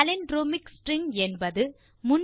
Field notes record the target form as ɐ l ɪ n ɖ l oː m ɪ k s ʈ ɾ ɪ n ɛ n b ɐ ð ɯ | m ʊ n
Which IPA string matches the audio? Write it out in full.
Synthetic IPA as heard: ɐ l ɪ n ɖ ɾ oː m ɪ k s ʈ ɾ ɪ ŋ ɛ n b ɐ ð ɯ | m ʊ n